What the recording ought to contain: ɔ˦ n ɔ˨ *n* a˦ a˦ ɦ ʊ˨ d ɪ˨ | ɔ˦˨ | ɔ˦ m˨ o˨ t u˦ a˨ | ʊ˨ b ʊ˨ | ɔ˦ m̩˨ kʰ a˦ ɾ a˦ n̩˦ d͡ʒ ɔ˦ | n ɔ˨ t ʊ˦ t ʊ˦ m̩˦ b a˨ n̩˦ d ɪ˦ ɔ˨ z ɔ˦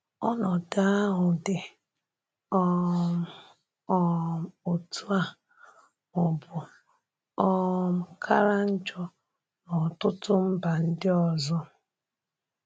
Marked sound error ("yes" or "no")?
yes